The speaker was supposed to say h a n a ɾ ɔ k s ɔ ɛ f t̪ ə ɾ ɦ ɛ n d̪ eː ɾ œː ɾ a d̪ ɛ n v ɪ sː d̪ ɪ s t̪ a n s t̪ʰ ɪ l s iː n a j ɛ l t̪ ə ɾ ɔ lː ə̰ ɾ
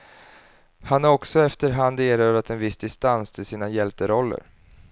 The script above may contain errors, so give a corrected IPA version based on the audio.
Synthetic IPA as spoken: h a n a ɾ ɔ k s ɔ ɛ f t̪ ə ɾ ɦ a n d̪ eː ɾ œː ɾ a t̪ ɛ n v ɪ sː d̪ ɪ s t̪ a n s t̪ʰ ɪ l s iː n a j ɛ l t̪ ə ɾ ɔ lː ə̰ ɾ